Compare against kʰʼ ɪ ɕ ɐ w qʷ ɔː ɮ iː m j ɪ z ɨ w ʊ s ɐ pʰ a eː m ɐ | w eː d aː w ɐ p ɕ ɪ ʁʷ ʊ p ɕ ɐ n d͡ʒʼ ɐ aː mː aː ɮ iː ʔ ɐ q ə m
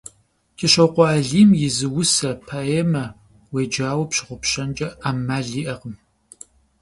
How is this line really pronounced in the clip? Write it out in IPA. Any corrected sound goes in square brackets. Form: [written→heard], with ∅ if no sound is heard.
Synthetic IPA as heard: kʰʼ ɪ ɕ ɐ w qʷ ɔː ɮ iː m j ɪ z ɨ w ʊ s ɐ pʰ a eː m ɐ | w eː [d→d͡ʒ] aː w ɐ p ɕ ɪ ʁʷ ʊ p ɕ ɐ n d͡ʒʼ ɐ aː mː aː ɮ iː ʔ ɐ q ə m